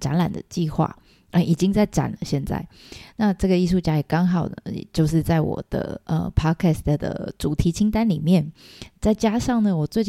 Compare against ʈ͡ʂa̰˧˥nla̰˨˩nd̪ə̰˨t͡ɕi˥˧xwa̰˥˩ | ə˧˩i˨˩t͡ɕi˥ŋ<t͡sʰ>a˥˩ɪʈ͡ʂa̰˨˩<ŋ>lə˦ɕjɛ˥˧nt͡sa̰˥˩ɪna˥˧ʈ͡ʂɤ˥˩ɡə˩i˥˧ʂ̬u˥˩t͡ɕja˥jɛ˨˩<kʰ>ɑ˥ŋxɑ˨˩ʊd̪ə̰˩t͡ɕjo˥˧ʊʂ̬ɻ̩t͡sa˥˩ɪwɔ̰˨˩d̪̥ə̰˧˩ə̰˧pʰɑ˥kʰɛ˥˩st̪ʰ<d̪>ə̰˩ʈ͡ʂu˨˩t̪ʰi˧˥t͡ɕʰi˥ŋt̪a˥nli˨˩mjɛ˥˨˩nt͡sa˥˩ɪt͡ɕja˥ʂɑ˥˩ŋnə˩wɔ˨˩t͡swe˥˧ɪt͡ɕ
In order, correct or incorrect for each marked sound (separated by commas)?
incorrect, incorrect, incorrect, correct